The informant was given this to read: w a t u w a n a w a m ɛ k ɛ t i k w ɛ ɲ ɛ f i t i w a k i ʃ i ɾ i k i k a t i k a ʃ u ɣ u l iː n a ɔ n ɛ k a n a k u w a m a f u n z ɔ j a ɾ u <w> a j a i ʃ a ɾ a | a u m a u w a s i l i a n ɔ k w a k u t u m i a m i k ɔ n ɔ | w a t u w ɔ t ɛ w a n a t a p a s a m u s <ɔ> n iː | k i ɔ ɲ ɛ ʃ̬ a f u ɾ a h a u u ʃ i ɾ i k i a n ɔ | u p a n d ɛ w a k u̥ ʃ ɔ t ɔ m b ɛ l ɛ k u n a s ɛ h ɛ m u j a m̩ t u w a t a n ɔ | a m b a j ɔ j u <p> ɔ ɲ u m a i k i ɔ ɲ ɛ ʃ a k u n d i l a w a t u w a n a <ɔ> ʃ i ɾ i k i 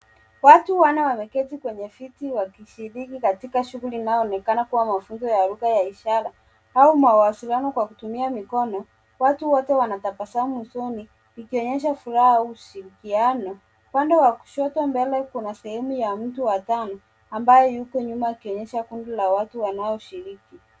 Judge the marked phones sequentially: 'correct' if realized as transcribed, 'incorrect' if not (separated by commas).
incorrect, correct, incorrect, correct